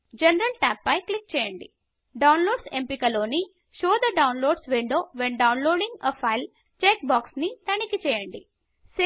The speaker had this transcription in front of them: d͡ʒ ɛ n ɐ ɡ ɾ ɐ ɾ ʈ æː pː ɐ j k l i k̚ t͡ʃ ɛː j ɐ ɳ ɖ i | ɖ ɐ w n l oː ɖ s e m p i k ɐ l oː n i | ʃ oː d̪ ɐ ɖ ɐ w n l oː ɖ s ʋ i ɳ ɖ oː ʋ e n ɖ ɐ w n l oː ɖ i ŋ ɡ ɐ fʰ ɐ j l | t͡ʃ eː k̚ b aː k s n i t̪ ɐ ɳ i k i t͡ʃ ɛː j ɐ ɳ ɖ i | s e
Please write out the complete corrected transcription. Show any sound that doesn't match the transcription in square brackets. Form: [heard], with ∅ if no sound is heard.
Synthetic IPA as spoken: d͡ʒ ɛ n ɐ [∅] ɾ ɐ [l] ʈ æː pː ɐ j k l i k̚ t͡ʃ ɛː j ɐ ɳ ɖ i | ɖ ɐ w n l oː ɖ s e m p i k ɐ l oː n i | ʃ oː d̪ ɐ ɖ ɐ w n l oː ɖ s ʋ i ɳ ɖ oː ʋ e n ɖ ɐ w n l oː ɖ i ŋ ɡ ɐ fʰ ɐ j l | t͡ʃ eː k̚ b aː k s n i t̪ ɐ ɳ i k i t͡ʃ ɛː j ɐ ɳ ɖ i | s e